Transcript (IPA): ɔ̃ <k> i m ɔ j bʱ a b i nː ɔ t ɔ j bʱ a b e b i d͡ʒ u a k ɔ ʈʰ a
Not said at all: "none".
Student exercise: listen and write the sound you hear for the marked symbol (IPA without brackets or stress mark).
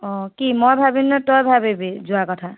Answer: k